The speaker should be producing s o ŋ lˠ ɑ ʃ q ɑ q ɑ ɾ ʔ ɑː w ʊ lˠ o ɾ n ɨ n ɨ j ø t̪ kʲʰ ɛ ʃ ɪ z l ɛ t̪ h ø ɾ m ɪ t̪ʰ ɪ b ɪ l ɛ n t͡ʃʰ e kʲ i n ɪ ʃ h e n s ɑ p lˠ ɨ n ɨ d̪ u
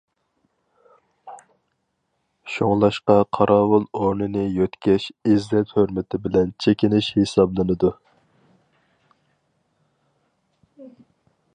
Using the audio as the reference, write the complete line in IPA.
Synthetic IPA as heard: ʃ o ŋ lˠ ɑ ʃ q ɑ qʰ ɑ ɾ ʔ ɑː w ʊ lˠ o ɾ n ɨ n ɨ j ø t̪ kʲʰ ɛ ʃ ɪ z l ɛ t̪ h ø ɾ m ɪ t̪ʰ ɪ b ɪ l ɛ n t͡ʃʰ e kʲ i n ɪ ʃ h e s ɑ b lˠ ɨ n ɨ d̪ u